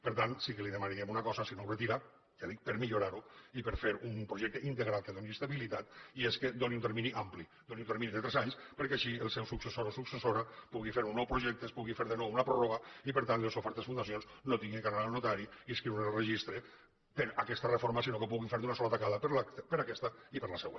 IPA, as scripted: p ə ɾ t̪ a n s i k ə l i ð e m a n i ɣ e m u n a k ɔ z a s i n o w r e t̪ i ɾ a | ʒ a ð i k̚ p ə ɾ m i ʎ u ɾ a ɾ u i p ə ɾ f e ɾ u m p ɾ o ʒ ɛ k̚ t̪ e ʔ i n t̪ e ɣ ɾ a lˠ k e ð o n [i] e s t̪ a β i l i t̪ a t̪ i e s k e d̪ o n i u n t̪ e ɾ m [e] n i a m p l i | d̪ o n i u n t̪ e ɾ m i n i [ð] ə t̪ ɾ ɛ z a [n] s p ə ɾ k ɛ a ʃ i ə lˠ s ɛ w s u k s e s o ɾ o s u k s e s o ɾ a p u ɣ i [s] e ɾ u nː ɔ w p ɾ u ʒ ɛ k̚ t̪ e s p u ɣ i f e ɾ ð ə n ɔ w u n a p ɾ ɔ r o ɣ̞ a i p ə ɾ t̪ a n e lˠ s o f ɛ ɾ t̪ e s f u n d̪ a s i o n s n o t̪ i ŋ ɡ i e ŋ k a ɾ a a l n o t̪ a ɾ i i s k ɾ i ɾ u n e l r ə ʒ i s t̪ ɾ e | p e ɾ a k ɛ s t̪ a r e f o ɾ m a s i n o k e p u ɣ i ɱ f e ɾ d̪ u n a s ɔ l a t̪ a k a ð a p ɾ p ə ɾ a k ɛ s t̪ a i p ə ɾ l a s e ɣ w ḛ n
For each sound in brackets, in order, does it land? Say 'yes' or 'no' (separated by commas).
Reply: yes, no, yes, no, no